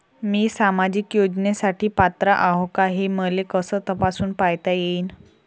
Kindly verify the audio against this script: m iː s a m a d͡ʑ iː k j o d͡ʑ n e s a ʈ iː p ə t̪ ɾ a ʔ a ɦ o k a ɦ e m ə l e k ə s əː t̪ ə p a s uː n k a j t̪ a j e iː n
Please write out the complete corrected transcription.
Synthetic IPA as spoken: m iː s a m a d͡ʑ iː k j o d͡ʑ n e s a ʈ iː p a t̪ ɾ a ʔ a ɦ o k a ɦ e m ə l e k ə s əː t̪ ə p a s uː n p a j t̪ a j e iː n